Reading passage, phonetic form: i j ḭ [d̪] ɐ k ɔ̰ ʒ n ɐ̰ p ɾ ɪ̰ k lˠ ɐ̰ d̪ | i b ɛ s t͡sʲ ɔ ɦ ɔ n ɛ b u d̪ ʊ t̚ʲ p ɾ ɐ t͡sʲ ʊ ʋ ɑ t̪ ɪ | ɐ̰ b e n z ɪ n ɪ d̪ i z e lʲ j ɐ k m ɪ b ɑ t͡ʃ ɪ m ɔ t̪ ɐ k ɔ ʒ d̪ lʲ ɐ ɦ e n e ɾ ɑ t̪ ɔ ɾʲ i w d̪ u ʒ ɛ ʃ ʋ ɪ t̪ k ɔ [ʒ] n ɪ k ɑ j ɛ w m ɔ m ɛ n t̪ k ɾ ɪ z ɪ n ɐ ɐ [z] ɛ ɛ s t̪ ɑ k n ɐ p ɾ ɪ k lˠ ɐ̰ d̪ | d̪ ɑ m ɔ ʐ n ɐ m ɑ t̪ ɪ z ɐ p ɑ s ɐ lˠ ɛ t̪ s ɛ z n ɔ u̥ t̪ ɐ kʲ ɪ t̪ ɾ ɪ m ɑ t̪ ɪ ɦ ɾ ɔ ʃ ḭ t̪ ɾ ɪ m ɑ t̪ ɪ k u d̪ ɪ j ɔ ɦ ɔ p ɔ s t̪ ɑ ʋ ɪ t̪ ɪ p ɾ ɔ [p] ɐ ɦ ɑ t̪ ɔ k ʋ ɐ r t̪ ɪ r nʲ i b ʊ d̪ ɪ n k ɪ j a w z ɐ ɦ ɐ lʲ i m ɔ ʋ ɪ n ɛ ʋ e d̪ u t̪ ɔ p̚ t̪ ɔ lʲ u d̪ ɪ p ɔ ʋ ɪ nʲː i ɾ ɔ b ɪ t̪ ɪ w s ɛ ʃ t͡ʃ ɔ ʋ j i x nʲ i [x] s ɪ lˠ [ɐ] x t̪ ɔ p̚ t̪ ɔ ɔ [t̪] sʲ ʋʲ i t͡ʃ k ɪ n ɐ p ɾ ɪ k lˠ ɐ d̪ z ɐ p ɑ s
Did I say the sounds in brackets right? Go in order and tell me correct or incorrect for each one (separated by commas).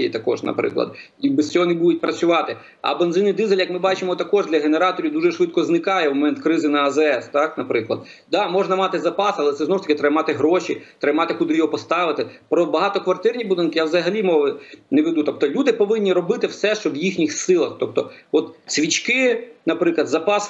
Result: incorrect, incorrect, correct, incorrect, correct, correct, correct